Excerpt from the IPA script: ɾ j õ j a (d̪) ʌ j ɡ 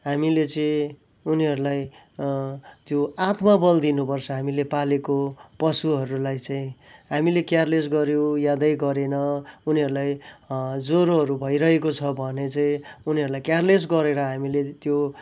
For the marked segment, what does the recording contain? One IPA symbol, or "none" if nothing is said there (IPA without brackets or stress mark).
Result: d̪